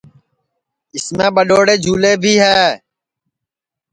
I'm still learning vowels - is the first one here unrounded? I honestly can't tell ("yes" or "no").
yes